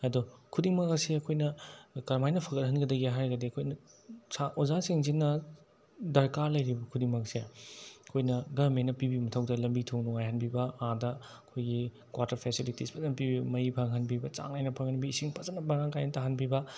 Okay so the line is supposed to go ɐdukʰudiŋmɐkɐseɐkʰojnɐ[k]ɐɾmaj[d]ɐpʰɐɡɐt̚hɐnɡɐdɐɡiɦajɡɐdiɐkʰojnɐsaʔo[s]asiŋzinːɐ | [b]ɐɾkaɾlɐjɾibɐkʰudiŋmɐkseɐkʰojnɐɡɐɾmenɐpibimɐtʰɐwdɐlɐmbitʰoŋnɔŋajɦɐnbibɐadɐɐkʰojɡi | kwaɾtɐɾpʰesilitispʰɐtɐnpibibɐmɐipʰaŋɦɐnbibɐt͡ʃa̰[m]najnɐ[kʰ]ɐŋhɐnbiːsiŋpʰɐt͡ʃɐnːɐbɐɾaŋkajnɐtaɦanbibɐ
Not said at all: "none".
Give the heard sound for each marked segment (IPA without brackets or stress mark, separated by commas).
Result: k, n, z, d, ŋ, pʰ